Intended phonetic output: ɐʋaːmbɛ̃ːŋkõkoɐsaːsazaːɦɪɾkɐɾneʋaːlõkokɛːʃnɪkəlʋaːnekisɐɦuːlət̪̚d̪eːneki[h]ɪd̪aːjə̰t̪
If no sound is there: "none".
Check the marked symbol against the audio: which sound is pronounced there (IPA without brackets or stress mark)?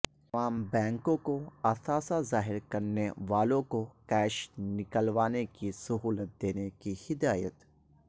h